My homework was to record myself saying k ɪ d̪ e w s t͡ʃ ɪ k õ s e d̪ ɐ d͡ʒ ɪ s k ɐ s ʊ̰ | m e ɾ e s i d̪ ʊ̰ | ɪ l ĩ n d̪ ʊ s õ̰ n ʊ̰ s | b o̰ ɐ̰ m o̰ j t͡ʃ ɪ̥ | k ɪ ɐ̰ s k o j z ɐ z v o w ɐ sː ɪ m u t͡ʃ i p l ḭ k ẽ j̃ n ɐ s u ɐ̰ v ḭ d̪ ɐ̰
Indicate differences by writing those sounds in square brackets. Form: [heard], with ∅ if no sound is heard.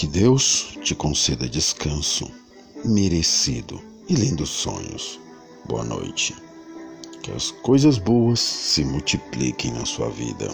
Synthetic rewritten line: k ɪ d̪ e w s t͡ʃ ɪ k õ s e d̪ ɐ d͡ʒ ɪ s k [ɐ̃] s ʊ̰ | m e ɾ e s i d̪ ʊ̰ | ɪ l ĩ n d̪ ʊ s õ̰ [ɲ] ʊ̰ s | b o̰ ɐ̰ [n] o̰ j t͡ʃ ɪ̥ | k ɪ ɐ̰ s k o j z ɐ z [b] o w ɐ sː ɪ m u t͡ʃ i p l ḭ k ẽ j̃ n ɐ s u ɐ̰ v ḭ d̪ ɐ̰